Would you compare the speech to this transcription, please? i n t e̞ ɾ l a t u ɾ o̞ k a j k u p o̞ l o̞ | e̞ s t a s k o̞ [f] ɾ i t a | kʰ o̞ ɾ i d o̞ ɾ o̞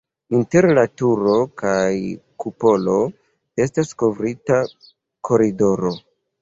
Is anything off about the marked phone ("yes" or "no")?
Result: yes